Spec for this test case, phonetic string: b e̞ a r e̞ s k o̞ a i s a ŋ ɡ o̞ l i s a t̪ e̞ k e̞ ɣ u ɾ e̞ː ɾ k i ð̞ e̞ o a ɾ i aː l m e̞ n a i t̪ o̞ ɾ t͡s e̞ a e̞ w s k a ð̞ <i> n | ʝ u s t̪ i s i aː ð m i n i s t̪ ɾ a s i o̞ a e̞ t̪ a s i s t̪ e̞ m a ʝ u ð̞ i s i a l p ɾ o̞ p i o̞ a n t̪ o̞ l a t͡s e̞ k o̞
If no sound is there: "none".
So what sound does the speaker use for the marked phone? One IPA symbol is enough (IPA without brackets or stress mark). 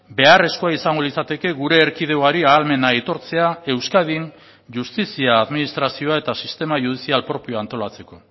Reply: i